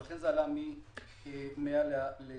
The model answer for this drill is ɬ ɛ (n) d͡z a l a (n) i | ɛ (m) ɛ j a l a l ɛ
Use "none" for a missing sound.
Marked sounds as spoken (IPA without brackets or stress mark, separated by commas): n, m, m